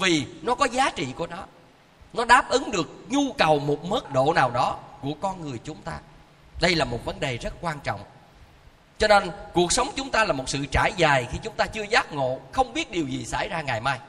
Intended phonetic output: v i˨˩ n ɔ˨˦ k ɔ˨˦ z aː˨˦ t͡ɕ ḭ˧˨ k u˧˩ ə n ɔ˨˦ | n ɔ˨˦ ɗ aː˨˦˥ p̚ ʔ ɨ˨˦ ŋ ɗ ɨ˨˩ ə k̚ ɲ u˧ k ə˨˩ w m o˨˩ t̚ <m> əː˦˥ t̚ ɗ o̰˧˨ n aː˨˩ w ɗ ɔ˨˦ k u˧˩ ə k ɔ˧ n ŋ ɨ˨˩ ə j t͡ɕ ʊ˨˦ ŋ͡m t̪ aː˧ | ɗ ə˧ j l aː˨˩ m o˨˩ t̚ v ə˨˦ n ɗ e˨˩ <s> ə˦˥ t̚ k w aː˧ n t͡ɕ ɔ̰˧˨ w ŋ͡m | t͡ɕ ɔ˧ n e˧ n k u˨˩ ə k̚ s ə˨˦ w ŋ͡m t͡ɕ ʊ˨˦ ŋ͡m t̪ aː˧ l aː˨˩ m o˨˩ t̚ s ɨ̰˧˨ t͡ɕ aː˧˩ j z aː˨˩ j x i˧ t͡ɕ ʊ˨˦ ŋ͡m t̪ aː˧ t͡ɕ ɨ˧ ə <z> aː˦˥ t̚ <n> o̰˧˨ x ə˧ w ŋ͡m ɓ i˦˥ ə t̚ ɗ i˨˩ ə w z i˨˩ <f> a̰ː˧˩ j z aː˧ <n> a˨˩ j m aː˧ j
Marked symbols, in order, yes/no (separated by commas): yes, no, yes, no, no, no